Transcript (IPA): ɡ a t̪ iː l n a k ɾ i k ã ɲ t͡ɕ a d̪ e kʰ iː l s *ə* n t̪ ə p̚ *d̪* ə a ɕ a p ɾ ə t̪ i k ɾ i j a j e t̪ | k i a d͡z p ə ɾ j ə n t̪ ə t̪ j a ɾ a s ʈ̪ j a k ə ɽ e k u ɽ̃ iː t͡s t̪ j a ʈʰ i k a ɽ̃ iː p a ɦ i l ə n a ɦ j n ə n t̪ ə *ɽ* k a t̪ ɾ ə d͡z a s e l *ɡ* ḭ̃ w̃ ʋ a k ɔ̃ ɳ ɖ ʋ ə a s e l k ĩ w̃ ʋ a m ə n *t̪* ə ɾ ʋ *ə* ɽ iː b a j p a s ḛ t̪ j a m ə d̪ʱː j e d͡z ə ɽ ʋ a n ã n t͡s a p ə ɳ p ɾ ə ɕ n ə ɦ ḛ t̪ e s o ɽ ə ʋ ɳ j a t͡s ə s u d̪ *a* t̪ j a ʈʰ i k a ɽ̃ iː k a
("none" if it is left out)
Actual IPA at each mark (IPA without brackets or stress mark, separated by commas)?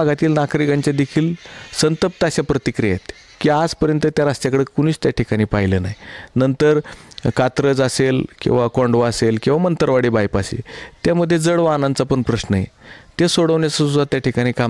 ə, t̪, ɾ, k, t̪, a, a